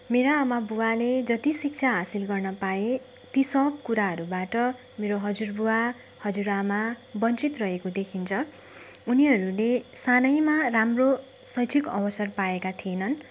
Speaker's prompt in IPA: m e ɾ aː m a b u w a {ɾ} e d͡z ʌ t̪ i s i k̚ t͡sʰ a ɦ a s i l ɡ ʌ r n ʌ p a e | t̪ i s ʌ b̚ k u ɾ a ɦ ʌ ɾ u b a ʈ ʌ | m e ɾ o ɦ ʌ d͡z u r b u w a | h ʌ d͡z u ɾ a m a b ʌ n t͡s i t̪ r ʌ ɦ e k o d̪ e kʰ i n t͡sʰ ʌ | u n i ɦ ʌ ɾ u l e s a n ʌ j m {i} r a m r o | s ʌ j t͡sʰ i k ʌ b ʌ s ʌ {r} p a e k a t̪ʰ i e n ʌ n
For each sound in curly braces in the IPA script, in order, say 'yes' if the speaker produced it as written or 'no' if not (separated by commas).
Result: no, no, yes